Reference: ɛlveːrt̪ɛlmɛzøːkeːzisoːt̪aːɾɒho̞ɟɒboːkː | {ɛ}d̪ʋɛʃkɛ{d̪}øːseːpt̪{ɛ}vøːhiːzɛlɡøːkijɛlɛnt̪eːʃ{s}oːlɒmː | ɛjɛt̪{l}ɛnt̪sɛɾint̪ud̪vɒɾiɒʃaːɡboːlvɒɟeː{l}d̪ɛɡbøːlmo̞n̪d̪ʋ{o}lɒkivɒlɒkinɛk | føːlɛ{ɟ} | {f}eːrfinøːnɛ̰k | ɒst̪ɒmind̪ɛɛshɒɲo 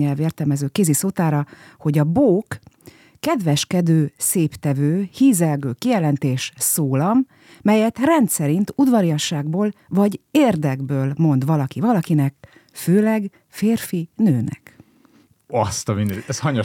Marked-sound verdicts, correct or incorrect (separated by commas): correct, correct, correct, correct, incorrect, incorrect, incorrect, incorrect, correct